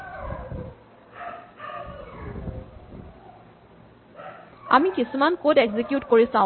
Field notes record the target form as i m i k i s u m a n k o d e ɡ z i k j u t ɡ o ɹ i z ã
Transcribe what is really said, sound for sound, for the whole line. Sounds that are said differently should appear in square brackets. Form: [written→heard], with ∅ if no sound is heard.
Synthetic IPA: [i→a] m i k i s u m a n k o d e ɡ z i k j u t [ɡ→k] o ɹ i [z→s] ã

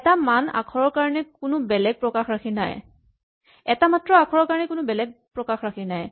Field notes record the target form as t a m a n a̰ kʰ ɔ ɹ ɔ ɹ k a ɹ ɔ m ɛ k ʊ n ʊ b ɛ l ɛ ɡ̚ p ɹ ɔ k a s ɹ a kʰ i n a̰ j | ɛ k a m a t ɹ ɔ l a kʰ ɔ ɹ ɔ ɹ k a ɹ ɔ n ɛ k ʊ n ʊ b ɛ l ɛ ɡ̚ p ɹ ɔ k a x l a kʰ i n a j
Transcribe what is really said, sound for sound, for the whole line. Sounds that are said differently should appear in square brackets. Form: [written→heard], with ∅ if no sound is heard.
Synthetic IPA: t a m a n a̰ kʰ ɔ ɹ ɔ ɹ k a ɹ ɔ [m→n] ɛ k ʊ n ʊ b ɛ l ɛ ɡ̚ p ɹ ɔ k a [s→x] ɹ a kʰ i n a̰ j | ɛ [k→t] a m a t ɹ ɔ [l→∅] a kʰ ɔ ɹ ɔ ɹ k a ɹ ɔ n ɛ k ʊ n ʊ b ɛ l ɛ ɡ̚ p ɹ ɔ k a x [l→ɹ] a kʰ i n a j

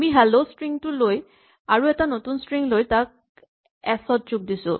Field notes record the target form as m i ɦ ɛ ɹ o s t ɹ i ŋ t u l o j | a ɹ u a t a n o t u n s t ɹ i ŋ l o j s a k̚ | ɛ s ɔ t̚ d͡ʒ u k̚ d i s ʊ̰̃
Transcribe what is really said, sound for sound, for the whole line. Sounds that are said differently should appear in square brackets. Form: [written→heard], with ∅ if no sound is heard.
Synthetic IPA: m i ɦ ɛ [ɹ→l] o s t ɹ i ŋ t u l o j | a ɹ u [a→ɛ] t a n o t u n s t ɹ i ŋ l o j [s→t] a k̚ | ɛ s ɔ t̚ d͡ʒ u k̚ d i s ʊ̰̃

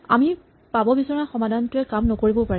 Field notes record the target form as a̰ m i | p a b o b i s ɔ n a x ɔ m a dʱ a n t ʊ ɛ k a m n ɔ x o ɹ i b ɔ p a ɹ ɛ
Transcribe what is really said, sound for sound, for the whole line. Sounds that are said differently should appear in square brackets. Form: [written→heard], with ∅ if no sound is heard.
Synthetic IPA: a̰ m i | p a b [o→ɔ] b i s ɔ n a x ɔ m a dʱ a n t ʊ ɛ k a m n ɔ [x→k] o ɹ i b ɔ p a ɹ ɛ

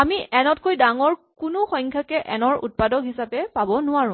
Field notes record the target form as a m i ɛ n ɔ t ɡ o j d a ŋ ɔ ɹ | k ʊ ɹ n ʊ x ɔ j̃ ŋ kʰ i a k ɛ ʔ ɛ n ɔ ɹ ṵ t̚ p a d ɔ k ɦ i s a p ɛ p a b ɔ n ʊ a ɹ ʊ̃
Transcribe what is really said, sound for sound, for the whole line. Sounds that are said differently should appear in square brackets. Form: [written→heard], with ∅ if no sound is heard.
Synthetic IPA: a m i ɛ n ɔ t [ɡ→k] o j d a ŋ ɔ ɹ | k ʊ [ɹ→∅] n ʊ x ɔ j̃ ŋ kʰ [i→j] a k ɛ ʔ ɛ n ɔ ɹ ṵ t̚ p a d ɔ k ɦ i s a p ɛ p a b ɔ n ʊ a ɹ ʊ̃

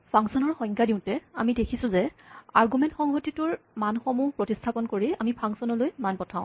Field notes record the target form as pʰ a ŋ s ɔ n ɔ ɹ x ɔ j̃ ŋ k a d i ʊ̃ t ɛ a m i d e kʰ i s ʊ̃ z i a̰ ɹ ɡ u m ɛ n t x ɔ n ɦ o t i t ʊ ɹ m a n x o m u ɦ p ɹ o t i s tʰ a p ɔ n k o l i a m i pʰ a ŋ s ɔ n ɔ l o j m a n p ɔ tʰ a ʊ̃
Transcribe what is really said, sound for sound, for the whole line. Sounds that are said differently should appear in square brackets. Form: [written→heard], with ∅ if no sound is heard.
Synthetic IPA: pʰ a ŋ s ɔ n ɔ ɹ x ɔ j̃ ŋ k a d i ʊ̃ t ɛ a m i d e kʰ i s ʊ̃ z [i→ɛ] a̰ ɹ ɡ u m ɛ n t x ɔ [n→ŋ] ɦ o t i t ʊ ɹ m a n x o m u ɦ p ɹ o t i s tʰ a p ɔ n k o [l→ɹ] i a m i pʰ a ŋ s ɔ n ɔ l o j m a n p ɔ tʰ a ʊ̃

